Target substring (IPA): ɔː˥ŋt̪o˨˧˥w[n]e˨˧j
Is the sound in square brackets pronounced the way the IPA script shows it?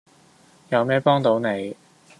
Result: yes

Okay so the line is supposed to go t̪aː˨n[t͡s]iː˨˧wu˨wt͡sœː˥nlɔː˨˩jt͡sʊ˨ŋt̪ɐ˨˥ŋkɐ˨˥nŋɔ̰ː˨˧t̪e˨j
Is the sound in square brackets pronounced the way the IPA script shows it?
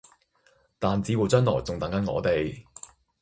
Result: yes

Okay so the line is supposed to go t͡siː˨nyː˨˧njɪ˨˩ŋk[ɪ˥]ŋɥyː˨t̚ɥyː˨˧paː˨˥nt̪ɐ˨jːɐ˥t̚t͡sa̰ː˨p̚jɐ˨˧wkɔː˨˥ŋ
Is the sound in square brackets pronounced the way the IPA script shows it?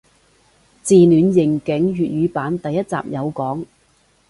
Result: no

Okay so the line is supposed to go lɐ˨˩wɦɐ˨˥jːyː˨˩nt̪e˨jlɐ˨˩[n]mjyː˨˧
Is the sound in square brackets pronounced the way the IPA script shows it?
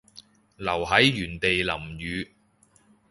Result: no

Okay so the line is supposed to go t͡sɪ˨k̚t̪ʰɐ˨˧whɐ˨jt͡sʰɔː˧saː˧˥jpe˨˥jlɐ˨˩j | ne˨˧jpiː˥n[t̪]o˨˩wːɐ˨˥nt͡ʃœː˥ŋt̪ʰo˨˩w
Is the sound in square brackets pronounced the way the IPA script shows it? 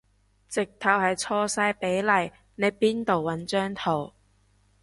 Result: yes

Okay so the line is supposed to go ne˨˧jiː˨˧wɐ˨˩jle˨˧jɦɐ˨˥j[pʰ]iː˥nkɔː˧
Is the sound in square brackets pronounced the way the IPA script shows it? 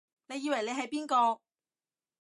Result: no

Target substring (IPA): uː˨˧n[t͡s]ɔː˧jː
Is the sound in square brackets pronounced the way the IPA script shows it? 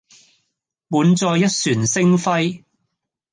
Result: yes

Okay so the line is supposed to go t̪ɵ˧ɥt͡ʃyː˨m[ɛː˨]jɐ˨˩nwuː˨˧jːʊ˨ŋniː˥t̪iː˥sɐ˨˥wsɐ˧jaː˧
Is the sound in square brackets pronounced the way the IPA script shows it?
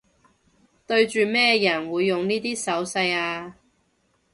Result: no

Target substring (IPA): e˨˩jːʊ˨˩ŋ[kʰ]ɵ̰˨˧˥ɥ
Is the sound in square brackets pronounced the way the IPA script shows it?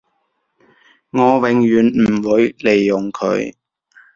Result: yes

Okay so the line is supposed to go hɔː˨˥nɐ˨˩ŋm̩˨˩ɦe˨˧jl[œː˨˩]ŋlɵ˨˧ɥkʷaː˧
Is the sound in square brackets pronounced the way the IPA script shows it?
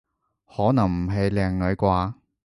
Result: no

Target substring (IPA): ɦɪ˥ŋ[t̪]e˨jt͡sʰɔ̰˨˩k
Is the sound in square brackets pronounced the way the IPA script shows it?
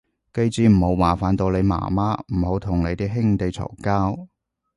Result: yes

